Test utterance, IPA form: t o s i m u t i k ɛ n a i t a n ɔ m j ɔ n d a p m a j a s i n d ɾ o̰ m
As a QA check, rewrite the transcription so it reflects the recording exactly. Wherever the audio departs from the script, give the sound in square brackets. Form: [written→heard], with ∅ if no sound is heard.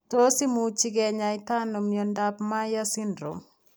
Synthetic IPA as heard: t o s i m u [t→t͡ʃ] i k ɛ [n→ɲ] a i t a n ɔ m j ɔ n d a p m a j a s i n d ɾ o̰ m